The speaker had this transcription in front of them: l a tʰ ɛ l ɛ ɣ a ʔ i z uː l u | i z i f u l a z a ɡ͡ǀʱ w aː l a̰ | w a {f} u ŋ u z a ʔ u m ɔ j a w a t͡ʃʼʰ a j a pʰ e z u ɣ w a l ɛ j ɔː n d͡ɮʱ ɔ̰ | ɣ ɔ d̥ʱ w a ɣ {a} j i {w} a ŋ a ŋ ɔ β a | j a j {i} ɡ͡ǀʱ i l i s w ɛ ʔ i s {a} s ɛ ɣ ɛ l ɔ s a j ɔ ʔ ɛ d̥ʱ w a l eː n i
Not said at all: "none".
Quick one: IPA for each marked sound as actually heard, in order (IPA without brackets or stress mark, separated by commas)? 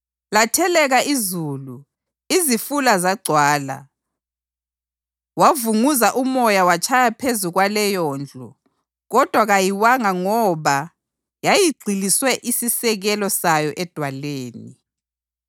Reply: v, a, w, i, i